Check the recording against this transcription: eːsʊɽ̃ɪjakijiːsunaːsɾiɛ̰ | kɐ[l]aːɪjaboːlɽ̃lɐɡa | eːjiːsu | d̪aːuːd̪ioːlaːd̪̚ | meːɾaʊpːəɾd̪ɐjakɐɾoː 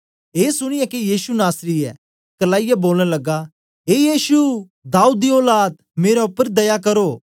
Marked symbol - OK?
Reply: yes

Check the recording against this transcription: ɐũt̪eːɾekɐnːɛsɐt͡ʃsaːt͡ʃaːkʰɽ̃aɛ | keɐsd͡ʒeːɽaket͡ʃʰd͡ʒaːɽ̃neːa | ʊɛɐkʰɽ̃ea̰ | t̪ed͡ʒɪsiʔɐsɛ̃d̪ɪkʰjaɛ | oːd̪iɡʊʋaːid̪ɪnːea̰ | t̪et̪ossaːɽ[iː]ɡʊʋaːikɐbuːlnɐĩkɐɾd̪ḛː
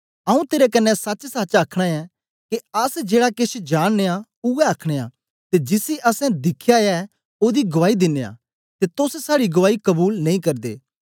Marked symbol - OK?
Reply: no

